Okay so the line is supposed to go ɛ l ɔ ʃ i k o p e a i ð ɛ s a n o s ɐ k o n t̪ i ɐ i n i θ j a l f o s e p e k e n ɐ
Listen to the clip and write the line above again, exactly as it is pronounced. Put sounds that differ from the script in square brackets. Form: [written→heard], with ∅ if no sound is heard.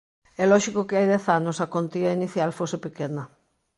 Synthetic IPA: ɛ l ɔ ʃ i k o [p→k] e a [i→j] ð ɛ [s→θ] a n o s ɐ k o n t̪ i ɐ i n i θ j a l f o s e p e k e n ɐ

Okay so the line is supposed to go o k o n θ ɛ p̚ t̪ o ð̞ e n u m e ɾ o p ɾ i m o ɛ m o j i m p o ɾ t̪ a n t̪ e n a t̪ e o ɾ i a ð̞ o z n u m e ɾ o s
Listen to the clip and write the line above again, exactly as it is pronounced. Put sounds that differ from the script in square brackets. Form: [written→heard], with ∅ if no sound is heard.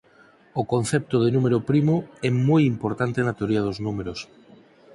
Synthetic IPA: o k o n θ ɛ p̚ t̪ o ð̞ e n u m e ɾ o p ɾ i m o ɛ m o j i m p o ɾ t̪ a n t̪ e n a t̪ e o ɾ i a ð̞ o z n u m e ɾ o s

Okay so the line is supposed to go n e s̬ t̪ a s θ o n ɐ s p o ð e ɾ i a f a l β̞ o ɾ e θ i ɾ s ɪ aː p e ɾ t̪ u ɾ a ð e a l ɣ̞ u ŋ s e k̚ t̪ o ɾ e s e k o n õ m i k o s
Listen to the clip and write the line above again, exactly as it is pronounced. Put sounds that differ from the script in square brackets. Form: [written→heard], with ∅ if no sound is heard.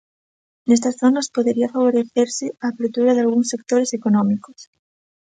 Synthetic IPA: n e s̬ t̪ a s θ o n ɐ s p o ð e ɾ i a f a [l→∅] β̞ o ɾ e θ [i→e] ɾ s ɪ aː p e ɾ t̪ u ɾ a ð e a l ɣ̞ u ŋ s e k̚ t̪ o ɾ e s e k o n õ m i k o s

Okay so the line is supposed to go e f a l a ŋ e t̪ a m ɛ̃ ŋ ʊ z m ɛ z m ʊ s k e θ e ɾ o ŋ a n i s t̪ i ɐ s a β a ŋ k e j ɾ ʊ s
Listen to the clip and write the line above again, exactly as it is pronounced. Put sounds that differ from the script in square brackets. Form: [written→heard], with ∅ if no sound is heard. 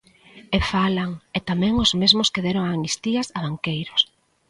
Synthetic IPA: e f a l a ŋ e t̪ a m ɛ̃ ŋ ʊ z m [ɛ→e] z m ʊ s k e [θ→ð] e ɾ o ŋ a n i s t̪ i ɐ s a β a ŋ k e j ɾ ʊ s

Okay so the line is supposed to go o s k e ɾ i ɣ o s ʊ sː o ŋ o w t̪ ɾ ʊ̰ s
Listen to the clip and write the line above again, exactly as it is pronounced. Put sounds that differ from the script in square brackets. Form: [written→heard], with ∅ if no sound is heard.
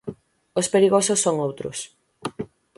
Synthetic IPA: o s [k→p] e ɾ i ɣ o s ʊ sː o ŋ o w t̪ ɾ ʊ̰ s

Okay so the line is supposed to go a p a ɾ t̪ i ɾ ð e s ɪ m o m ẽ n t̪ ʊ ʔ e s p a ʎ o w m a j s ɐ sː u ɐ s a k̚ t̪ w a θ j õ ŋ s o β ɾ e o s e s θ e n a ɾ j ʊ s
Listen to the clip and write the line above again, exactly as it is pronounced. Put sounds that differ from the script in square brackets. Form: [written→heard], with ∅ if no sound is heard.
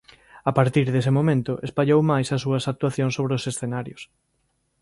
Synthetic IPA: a p a ɾ t̪ i ɾ ð e s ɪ m o m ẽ n t̪ ʊ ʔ e s p a ʎ o w m a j s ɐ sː u ɐ s a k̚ t̪ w a θ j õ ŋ s o β ɾ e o s e s θ e n a ɾ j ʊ s

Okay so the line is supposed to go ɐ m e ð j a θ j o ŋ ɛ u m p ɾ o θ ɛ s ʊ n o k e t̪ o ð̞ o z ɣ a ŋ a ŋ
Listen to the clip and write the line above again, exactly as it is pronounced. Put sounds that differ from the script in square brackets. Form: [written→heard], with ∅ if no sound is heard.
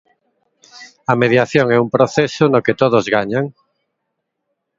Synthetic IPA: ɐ m e ð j a θ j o ŋ ɛ u m p ɾ o θ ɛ s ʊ n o k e t̪ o ð̞ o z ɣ a [ŋ→ɲ] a ŋ

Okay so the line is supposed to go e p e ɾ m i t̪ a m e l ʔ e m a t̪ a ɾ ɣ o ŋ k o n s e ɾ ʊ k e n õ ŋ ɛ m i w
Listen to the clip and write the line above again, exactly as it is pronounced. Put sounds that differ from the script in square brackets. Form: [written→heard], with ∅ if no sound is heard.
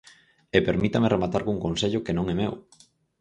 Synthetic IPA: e p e ɾ m i t̪ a m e [l→r] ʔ e m a t̪ a ɾ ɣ [o→u] ŋ k o n s e [ɾ→ʎ] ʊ k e n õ ŋ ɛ m [i→e] w

